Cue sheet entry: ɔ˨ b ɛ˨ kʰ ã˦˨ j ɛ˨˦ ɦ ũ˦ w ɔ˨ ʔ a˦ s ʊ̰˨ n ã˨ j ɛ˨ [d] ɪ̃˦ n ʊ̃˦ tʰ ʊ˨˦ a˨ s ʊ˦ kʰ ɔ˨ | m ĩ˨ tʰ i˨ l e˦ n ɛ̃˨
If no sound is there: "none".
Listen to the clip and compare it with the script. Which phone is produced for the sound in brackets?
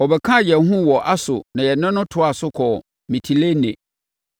n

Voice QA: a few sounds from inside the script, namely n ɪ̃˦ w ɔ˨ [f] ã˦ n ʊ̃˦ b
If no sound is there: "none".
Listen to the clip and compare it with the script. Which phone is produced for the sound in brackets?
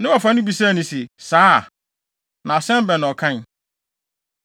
f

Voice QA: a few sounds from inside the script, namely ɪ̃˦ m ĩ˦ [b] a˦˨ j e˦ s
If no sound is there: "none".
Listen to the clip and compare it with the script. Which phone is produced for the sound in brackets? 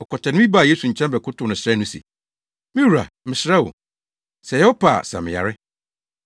b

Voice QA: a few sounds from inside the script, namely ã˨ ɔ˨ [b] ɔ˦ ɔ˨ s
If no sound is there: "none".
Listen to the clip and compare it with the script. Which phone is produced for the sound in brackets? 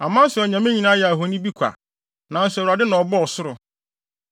b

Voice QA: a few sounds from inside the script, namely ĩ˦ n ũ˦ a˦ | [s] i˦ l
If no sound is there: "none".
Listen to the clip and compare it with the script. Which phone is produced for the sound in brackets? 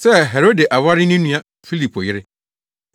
f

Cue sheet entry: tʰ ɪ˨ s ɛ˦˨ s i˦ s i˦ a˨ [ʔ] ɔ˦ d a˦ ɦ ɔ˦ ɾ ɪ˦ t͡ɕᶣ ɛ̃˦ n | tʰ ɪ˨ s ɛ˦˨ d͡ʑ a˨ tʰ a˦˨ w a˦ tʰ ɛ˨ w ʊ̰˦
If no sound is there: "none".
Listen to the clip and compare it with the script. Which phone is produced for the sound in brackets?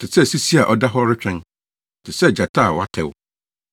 ʔ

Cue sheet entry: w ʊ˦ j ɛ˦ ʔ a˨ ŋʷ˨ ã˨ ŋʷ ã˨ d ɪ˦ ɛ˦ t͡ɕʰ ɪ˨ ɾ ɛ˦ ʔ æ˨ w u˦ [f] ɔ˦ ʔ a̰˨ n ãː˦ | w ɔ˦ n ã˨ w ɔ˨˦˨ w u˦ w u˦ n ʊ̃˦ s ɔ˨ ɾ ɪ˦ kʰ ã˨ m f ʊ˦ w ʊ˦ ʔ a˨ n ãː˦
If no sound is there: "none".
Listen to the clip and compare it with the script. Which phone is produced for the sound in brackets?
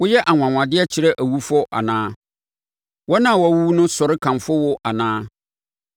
f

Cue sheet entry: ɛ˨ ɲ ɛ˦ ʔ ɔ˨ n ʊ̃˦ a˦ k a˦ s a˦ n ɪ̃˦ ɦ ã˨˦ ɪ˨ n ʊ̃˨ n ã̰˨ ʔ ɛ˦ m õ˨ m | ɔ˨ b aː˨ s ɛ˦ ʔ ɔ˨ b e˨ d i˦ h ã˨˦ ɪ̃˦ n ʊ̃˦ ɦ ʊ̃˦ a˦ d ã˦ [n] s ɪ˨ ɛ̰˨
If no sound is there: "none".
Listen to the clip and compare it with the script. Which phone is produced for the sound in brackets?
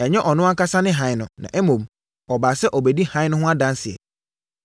n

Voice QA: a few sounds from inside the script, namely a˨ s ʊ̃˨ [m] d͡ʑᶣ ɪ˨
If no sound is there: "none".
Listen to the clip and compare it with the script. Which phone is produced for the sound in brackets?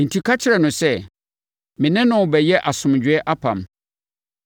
m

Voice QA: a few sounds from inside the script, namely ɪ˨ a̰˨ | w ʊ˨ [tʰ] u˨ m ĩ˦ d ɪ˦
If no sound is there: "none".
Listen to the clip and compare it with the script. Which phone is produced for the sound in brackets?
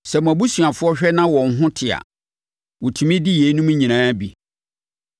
tʰ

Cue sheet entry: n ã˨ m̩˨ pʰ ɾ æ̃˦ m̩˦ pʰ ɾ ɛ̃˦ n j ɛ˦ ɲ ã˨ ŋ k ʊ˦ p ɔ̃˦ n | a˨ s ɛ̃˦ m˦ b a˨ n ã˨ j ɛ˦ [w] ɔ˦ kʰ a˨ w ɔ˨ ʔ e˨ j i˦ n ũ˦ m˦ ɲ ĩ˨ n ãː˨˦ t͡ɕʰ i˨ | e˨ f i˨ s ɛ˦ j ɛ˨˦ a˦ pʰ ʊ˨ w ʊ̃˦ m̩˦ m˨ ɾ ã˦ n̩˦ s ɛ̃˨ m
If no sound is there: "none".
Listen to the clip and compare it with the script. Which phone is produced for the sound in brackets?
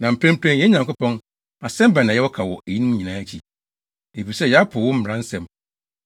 w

